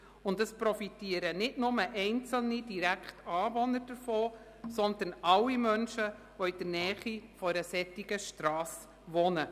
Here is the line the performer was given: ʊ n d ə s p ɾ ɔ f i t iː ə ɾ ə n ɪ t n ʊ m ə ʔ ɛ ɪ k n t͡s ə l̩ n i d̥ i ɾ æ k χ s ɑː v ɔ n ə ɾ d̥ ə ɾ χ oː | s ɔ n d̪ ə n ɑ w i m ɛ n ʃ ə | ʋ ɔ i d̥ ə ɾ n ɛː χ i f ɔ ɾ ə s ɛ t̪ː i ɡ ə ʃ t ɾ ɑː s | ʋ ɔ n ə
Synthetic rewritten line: ʊ n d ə s p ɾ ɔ f i t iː ə ɾ ə n ɪ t n ʊ m ə ʔ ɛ ɪ n t͡s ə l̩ n i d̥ i ɾ æ k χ t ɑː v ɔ n ə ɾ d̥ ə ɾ f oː | s ɔ n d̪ ə n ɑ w i m œ n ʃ ə | ʋ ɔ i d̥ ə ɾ n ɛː χ i f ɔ ɾ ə s ɛ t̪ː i ɡ ə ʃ t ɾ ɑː s | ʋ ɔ n ə